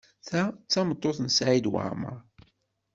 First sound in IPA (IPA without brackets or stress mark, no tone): θ